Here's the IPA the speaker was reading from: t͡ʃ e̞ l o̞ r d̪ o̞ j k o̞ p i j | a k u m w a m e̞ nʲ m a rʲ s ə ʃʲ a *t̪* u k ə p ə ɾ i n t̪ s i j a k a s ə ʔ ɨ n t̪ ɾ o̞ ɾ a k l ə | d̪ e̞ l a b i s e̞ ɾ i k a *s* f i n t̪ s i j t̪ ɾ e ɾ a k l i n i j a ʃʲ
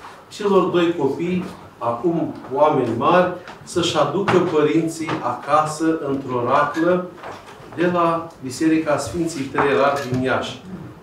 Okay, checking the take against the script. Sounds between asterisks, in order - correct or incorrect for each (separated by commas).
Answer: incorrect, correct